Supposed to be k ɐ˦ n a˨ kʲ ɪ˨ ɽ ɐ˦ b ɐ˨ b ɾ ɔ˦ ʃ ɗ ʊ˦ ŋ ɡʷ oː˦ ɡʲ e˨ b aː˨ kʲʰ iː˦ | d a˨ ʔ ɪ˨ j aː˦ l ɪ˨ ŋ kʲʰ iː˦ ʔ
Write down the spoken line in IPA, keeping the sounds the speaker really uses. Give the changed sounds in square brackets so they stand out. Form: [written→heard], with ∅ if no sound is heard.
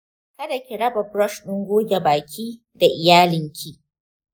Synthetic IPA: k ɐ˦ [n→d] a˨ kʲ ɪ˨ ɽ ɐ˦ b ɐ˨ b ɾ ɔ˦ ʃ ɗ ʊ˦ ŋ ɡʷ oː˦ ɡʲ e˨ b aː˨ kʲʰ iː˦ | d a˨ ʔ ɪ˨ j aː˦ l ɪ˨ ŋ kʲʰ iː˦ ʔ